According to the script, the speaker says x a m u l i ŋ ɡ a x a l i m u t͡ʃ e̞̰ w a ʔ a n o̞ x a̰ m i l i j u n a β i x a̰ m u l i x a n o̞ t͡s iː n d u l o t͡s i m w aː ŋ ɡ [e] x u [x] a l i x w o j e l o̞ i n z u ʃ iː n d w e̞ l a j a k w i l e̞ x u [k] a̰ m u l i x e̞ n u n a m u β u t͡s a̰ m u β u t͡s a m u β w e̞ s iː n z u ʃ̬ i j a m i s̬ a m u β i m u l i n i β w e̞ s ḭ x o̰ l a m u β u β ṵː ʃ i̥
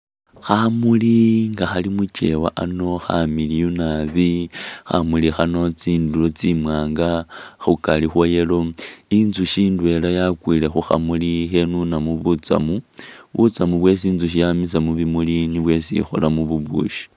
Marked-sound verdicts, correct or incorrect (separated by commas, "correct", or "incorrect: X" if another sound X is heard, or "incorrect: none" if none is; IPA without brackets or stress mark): incorrect: a, incorrect: k, incorrect: x